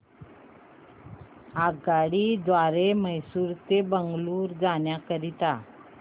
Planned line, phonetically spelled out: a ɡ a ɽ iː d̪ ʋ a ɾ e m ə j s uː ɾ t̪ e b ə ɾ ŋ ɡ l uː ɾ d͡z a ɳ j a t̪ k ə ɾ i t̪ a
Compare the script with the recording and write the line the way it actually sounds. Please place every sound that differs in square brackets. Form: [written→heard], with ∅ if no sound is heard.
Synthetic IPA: a ɡ a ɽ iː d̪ ʋ a ɾ e m ə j s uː ɾ t̪ e b ə [ɾ→∅] ŋ ɡ l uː ɾ d͡z a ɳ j a [t̪→∅] k ə ɾ i t̪ a